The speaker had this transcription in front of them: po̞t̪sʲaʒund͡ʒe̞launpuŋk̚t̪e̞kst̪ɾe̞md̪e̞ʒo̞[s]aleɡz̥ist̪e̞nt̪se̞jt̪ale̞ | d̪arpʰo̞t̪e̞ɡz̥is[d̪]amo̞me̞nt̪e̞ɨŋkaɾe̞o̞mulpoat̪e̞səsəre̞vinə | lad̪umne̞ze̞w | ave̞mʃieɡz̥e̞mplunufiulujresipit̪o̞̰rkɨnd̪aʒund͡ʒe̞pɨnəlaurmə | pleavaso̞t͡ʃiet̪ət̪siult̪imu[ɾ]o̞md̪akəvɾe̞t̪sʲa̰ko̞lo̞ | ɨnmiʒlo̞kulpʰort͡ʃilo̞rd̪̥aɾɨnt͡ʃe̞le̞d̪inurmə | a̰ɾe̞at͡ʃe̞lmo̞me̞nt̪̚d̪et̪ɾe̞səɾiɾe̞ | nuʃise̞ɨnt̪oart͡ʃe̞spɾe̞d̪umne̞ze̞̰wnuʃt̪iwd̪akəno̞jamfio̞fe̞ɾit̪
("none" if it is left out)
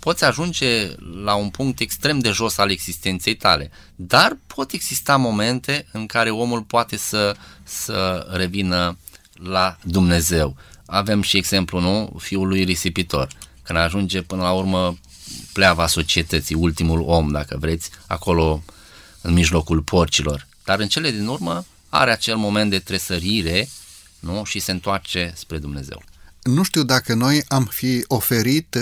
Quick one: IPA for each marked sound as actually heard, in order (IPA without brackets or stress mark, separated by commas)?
s, t̪, l